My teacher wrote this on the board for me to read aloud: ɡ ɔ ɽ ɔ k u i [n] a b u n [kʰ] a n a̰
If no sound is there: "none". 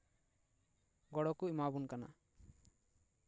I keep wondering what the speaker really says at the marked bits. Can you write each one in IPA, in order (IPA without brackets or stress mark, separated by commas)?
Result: m, k